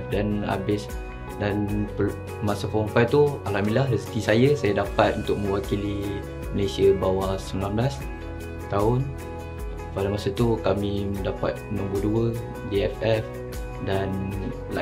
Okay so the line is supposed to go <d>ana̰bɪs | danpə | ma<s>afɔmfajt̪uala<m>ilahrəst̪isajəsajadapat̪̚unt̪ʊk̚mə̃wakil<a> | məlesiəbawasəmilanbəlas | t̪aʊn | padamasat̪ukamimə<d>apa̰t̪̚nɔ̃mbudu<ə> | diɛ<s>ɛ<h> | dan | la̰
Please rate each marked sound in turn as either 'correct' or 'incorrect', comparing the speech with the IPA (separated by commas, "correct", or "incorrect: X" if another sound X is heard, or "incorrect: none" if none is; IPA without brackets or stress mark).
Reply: correct, correct, correct, incorrect: i, correct, correct, incorrect: f, incorrect: f